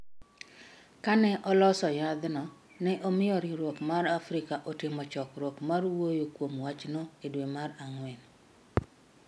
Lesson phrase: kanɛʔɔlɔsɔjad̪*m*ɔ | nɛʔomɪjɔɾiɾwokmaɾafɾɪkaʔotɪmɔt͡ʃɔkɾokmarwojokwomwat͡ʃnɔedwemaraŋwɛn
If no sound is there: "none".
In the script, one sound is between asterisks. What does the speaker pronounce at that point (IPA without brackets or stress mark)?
n